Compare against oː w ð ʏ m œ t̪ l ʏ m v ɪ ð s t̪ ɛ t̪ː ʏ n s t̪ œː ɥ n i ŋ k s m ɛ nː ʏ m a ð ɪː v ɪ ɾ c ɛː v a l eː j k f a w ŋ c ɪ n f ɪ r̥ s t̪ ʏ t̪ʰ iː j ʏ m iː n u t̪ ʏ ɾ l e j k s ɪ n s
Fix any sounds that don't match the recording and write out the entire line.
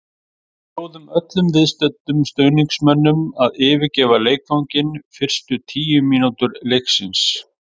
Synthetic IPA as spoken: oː w ð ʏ m œ t̪ l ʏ m v ɪ ð s t̪ ɛ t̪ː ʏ m s t̪ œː ɥ n i ŋ k s m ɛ nː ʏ m a ð ɪː v ɪ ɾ c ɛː v a l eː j k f a w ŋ c ɪ n f ɪ r̥ s t̪ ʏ t̪ʰ iː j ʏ m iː n u t̪ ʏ ɾ l e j k s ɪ n s